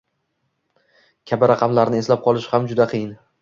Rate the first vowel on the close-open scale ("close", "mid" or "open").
open